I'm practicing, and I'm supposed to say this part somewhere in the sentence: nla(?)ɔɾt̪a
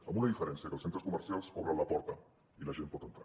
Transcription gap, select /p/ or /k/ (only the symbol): p